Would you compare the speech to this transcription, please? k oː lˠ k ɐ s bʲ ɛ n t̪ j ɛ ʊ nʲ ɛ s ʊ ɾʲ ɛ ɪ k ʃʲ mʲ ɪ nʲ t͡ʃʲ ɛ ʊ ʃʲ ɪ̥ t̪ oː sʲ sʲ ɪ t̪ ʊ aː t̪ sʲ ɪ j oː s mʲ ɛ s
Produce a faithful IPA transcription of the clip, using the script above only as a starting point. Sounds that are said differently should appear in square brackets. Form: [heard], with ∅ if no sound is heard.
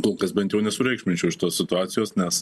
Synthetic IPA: k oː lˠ k ɐ s bʲ ɛ n t̪ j ɛ ʊ nʲ ɛ s ʊ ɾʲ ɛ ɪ k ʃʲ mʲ ɪ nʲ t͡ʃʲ ɛ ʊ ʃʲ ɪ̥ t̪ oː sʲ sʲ ɪ t̪ ʊ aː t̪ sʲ ɪ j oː s [nʲ] ɛ s